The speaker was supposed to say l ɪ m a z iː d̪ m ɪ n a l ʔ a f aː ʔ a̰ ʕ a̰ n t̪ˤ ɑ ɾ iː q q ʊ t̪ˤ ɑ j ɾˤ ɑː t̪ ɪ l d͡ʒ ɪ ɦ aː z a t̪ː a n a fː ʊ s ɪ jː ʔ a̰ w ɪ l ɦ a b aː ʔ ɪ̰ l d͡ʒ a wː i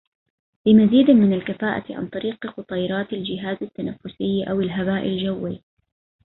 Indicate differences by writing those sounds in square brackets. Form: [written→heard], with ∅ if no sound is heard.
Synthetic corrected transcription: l ɪ m a z iː d̪ m ɪ n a l [ʔ→k] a f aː ʔ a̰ ʕ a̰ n t̪ˤ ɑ ɾ iː q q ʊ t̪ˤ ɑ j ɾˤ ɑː t̪ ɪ l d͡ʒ ɪ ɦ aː z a t̪ː a n a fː ʊ s ɪ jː ʔ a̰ w ɪ l ɦ a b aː ʔ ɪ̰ l d͡ʒ a wː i

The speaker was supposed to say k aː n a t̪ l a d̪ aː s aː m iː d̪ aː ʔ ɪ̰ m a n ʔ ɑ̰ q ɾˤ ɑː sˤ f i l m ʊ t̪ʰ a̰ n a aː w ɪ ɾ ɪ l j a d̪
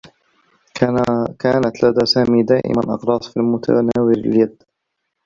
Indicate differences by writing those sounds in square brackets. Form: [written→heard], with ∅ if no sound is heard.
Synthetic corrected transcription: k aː n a t̪ l a d̪ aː s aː m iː d̪ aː ʔ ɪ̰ m a n ʔ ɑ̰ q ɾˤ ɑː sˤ f i l m ʊ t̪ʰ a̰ n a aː w ɪ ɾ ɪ l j a d̪

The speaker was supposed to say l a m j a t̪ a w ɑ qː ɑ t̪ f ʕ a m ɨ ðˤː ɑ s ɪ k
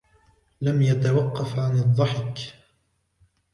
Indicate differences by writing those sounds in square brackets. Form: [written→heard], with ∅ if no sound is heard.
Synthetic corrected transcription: l a m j a t̪ a w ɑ qː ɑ [t̪→∅] f ʕ a [m→n] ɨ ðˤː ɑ [s→ħ] ɪ k

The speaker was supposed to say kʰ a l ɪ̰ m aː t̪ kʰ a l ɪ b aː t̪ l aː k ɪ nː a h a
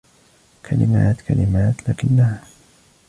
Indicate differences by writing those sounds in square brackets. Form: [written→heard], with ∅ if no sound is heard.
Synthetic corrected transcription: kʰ a l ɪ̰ m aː t̪ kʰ a l ɪ [b→m] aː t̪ l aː k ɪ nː a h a

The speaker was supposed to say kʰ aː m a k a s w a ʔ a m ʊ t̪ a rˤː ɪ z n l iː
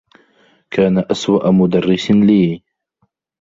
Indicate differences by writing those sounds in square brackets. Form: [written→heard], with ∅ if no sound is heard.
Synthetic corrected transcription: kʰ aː [m→n] a [k→ʔ] a s w a ʔ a m ʊ [t̪→d̪] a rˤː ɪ [z→s] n l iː

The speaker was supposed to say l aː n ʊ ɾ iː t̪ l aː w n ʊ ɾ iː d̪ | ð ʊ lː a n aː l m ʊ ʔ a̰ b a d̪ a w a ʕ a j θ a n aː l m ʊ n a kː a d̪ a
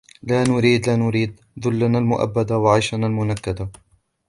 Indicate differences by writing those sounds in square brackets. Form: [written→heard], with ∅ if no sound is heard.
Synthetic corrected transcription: l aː n ʊ ɾ iː [t̪→d̪] l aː [w→∅] n ʊ ɾ iː d̪ | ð ʊ lː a n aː l m ʊ ʔ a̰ [b→bː] a d̪ a w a ʕ a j [θ→ʃ] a n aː l m ʊ n a kː a d̪ a

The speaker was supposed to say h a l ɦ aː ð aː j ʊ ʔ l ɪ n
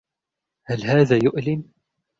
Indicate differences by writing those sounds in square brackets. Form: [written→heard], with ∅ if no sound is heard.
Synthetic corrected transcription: h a l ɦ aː ð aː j ʊ ʔ l ɪ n

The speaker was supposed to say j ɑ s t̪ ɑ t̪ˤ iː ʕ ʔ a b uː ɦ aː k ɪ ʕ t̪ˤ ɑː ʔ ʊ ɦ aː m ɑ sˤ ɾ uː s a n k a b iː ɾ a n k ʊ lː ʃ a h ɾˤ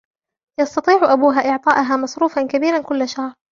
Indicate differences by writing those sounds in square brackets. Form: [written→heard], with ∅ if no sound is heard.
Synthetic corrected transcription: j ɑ s t̪ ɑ t̪ˤ iː ʕ ʔ a b uː ɦ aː [k→ʔ] ɪ ʕ t̪ˤ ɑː ʔ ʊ ɦ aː m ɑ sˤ ɾ uː [s→f] a n k a b iː ɾ a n k ʊ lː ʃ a h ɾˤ

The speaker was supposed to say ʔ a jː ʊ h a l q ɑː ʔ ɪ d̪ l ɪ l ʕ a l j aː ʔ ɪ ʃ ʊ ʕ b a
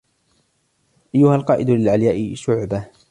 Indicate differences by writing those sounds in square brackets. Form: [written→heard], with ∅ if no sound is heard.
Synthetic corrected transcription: ʔ a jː ʊ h a l q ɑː ʔ ɪ d̪ l ɪ l ʕ a l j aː ʔ ɪ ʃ ʊ ʕ b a

